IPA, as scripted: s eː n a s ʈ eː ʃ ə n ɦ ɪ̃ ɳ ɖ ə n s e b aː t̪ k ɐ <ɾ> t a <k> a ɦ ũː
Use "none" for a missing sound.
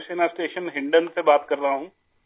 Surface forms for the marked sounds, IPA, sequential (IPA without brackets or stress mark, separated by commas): ɾ, none